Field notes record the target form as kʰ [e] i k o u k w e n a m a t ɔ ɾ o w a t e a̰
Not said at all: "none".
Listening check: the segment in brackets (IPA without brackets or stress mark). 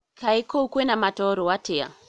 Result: a